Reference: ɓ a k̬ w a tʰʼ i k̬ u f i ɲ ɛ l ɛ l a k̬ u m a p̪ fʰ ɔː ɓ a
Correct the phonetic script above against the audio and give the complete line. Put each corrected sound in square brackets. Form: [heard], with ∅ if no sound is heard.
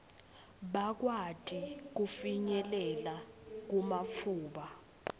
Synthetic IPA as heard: ɓ a k̬ w a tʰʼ i k̬ u f i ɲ ɛ l ɛ l a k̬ u m a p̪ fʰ [uː] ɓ a